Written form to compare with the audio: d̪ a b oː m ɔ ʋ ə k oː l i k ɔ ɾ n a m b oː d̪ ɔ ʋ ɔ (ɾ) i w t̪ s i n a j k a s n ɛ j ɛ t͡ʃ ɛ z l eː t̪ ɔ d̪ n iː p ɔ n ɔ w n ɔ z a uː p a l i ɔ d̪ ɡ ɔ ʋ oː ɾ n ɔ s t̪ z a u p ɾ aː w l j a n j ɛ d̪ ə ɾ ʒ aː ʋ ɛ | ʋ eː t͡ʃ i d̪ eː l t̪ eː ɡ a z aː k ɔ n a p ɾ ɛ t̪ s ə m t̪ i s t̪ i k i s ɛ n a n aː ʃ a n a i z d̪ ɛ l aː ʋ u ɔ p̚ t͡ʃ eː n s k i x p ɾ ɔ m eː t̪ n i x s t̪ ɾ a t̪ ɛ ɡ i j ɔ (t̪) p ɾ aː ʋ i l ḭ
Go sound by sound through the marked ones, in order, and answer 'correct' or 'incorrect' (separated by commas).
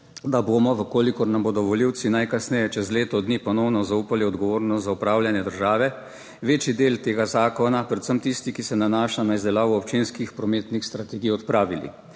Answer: incorrect, correct